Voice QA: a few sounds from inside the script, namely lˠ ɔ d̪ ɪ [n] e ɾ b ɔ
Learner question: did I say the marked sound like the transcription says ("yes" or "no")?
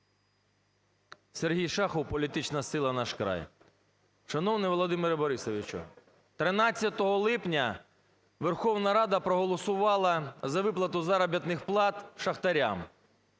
no